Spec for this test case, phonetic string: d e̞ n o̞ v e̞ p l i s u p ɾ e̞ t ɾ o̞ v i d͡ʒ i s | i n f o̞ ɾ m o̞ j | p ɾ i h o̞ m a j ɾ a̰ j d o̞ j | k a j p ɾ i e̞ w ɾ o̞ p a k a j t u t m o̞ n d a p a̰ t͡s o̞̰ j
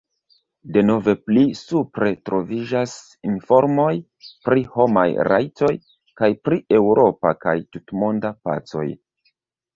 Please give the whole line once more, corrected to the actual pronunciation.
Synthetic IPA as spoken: d e̞ n o̞ v e̞ p l i s u p ɾ e̞ t ɾ o̞ v i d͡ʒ a s | i n f o̞ ɾ m o̞ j | p ɾ i h o̞ m a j ɾ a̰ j t o̞ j | k a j p ɾ i e̞ w ɾ o̞ p a k a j t u t m o̞ n d a p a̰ t͡s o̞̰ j